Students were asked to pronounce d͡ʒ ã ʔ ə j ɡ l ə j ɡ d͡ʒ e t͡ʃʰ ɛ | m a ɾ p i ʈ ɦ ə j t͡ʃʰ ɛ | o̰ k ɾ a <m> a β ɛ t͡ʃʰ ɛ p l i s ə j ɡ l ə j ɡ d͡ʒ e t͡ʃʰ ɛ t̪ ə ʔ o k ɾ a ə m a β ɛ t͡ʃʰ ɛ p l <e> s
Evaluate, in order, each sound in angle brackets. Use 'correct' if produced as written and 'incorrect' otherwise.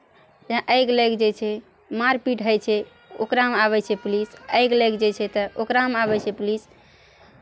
correct, incorrect: i

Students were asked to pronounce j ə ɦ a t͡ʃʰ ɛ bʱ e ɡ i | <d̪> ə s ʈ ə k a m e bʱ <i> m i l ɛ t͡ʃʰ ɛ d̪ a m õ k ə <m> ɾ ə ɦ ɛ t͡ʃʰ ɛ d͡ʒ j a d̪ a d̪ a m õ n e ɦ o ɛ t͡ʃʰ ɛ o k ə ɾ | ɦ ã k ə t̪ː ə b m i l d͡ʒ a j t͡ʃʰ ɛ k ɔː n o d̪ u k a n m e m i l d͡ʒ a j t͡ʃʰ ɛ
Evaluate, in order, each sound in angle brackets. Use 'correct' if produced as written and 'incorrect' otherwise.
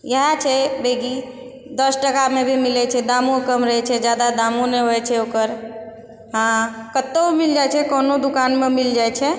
correct, correct, correct

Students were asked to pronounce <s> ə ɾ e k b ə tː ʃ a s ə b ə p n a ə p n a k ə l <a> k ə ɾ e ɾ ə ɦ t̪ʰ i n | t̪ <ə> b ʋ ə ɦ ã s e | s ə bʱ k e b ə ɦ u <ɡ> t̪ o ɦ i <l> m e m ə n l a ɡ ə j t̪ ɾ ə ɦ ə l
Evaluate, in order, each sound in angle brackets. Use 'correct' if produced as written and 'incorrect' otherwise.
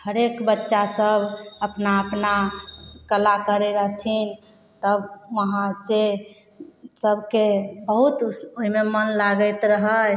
incorrect: h, correct, correct, incorrect: none, incorrect: none

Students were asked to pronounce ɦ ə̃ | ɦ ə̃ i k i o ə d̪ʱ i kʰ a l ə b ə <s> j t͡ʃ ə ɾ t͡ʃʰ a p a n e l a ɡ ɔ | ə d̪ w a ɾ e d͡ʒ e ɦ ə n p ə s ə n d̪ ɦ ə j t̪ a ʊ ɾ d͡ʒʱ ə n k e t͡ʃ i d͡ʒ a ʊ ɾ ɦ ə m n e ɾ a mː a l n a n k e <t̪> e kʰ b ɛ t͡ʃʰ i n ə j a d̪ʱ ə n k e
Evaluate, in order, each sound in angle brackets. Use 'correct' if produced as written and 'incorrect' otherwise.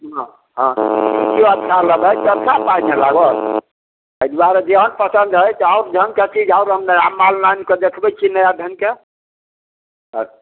incorrect: none, incorrect: d̪

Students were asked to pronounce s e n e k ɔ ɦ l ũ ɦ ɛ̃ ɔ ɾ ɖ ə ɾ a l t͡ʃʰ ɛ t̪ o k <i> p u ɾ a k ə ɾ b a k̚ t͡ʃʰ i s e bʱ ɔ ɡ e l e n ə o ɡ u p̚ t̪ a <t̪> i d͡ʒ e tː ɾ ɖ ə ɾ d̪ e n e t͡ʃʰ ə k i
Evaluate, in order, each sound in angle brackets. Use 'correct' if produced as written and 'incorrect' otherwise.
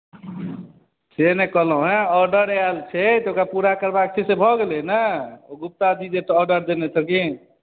incorrect: a, incorrect: d̪

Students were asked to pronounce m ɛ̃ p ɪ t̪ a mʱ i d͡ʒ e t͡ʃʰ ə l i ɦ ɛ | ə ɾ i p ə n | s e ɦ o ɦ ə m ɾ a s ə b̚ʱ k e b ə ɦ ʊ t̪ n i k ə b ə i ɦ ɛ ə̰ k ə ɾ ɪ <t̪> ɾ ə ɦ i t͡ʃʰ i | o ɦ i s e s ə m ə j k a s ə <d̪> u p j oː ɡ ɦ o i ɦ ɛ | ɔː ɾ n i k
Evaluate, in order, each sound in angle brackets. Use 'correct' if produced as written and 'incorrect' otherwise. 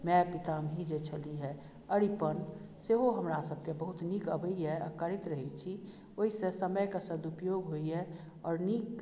correct, correct

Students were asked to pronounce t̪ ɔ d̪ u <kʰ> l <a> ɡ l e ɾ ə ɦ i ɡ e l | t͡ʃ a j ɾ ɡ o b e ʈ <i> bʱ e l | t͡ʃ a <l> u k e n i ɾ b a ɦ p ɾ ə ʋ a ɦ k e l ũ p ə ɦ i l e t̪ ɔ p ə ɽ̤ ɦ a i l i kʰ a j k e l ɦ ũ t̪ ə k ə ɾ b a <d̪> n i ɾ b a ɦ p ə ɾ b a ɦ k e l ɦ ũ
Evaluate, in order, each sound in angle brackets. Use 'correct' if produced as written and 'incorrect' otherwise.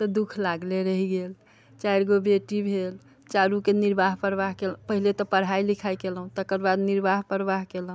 correct, correct, correct, incorrect: ɾ, correct

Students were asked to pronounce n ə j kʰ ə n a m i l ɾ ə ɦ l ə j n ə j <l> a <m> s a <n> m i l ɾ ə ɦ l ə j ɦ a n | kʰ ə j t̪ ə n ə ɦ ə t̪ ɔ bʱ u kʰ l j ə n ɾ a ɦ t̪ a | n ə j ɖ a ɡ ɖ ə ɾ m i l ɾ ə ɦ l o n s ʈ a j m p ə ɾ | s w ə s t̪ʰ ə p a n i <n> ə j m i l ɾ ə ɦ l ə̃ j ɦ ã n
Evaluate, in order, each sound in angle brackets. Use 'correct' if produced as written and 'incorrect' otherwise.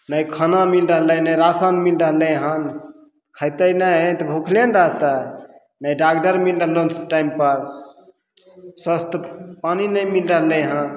incorrect: ɾ, incorrect: none, correct, correct

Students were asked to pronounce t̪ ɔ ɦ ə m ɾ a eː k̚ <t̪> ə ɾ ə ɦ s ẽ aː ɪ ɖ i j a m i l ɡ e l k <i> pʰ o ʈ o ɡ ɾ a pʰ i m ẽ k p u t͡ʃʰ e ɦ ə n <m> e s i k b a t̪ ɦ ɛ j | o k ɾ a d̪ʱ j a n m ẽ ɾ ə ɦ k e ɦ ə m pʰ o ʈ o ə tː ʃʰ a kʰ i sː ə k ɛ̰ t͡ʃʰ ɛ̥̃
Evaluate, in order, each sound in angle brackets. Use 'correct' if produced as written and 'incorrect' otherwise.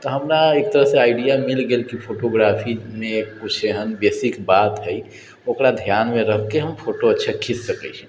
correct, correct, incorrect: b

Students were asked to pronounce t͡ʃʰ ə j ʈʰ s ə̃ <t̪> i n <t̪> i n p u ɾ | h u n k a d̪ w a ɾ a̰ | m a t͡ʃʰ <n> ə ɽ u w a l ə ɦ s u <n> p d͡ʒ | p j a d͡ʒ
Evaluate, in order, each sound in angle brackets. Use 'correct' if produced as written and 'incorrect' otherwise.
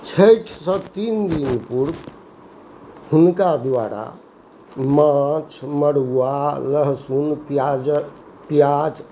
correct, incorrect: d̪, incorrect: m, correct

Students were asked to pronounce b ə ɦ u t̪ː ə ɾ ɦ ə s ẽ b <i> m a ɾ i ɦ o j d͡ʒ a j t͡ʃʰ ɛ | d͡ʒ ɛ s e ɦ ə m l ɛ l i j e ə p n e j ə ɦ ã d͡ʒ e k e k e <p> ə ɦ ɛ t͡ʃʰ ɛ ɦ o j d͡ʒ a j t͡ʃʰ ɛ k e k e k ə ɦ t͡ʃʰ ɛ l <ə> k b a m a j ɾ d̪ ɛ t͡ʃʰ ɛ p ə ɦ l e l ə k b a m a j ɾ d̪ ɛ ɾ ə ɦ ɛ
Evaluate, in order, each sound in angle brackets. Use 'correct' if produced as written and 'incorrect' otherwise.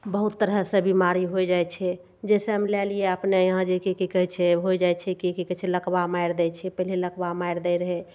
correct, incorrect: k, correct

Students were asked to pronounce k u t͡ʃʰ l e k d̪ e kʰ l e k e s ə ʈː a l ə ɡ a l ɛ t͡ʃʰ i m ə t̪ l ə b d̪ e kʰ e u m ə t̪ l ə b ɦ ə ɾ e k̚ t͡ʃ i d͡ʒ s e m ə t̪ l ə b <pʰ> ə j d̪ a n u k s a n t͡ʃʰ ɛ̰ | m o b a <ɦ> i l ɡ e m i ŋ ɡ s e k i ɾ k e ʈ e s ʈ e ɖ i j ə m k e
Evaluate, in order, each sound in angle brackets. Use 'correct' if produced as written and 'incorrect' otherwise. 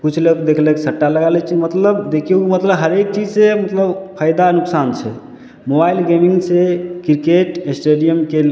correct, incorrect: none

